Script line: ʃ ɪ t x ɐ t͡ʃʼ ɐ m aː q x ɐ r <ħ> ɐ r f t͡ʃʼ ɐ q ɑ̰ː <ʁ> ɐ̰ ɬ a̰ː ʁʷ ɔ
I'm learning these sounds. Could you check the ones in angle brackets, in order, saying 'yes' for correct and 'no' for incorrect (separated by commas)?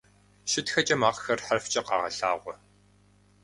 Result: yes, yes